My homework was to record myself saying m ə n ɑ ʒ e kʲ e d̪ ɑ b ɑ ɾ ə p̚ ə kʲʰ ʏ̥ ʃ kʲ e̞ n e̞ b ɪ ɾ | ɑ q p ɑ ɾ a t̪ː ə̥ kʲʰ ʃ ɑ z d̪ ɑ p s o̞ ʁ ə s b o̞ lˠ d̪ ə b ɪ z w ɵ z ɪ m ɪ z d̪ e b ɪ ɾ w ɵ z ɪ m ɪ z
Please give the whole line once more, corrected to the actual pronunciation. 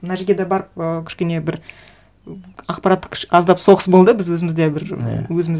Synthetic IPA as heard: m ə n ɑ ʒ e ɡʲ e d̪ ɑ b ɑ ɾ ə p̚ ə kʲʰ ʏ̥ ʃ kʲ e̞ n e̞ b ɪ ɾ | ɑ q p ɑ ɾ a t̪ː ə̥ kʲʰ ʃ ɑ z d̪ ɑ p s o̞ ʁ ə s b o̞ lˠ d̪ ə b ɪ z w ɵ z ɪ m ɪ z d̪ e b ɪ ɾ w ɵ z ɪ m ɪ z